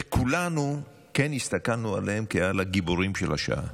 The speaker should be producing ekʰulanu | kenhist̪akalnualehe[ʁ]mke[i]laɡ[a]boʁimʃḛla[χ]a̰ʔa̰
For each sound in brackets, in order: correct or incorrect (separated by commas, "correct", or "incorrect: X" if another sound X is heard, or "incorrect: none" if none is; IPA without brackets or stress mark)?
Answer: incorrect: none, incorrect: a, incorrect: i, incorrect: ʃ